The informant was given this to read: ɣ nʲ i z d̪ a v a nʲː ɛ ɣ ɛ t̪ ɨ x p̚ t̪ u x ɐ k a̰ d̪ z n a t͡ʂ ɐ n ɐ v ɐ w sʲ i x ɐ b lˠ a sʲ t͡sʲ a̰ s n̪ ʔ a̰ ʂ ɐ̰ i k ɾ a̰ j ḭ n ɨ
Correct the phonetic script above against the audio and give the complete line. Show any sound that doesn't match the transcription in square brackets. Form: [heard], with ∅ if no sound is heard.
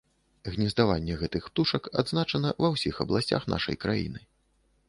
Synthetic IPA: ɣ nʲ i z d̪ a v a nʲː ɛ ɣ ɛ t̪ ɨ x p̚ t̪ u [ʂ] ɐ k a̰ d̪ z n a t͡ʂ ɐ n ɐ v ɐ w sʲ i x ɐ b lˠ a sʲ t͡sʲ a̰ [x] n̪ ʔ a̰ ʂ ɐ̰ [j] k ɾ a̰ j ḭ n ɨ